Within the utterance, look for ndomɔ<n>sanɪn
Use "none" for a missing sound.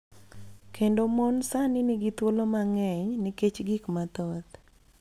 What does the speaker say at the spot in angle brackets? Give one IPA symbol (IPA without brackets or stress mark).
n